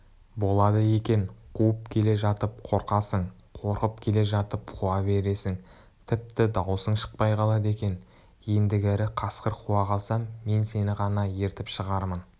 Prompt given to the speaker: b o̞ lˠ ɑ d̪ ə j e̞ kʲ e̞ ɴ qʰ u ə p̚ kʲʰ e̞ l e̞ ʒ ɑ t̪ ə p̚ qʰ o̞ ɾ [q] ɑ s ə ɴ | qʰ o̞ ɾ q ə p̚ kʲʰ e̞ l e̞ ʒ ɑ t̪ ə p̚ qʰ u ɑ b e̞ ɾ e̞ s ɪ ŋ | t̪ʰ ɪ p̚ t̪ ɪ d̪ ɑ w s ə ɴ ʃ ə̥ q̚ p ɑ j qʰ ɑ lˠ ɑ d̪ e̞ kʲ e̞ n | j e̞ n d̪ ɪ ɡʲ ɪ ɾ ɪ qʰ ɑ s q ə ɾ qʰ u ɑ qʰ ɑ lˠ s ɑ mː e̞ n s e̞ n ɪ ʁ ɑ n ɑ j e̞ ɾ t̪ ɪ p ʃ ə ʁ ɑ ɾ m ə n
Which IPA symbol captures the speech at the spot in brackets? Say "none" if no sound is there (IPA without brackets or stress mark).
q